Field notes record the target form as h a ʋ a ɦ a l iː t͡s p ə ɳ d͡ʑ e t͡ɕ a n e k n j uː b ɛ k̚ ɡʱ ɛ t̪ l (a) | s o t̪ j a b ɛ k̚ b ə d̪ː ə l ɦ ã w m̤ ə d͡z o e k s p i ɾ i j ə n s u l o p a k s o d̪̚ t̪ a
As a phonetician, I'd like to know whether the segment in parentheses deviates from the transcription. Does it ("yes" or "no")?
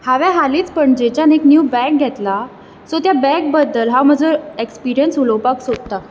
no